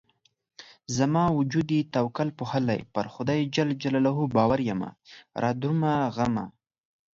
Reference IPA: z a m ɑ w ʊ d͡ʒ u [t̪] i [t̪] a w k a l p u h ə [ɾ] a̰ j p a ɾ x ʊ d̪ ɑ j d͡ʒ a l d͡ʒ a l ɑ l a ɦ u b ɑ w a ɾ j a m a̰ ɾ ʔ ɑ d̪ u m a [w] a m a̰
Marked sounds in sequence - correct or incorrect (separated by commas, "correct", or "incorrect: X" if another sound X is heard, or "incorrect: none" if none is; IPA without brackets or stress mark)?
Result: incorrect: d̪, correct, incorrect: l, incorrect: ɣ